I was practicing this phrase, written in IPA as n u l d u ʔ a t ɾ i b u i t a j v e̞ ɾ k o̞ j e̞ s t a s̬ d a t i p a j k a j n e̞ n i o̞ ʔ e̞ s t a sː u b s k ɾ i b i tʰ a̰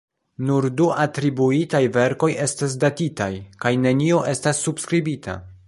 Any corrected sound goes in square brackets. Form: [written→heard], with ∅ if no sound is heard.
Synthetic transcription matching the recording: n u [l→ɾ] d u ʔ a t ɾ i b u i t a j v e̞ ɾ k o̞ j e̞ s t a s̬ d a t i [p→t] a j k a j n e̞ n i o̞ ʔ e̞ s t a sː u b s k ɾ i b i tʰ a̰